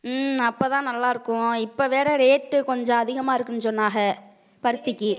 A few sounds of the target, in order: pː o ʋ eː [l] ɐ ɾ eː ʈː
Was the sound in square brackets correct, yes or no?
no